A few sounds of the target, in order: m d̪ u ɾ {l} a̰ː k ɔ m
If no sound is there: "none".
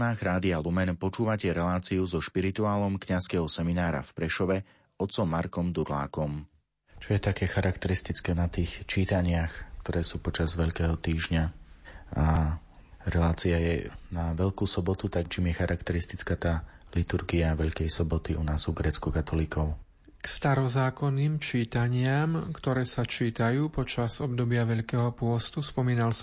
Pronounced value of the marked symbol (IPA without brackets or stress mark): l